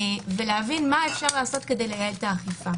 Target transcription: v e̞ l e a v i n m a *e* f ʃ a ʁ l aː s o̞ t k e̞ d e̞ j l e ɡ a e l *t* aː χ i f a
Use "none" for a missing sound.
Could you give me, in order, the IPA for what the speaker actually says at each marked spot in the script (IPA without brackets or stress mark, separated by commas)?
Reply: e, t